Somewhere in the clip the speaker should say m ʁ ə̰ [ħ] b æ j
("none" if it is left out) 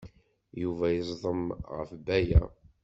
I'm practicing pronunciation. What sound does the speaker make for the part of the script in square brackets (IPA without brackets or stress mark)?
f